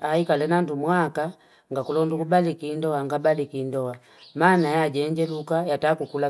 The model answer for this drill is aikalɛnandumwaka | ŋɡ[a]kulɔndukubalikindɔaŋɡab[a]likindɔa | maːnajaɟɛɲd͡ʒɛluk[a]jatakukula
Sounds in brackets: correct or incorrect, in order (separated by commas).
correct, correct, correct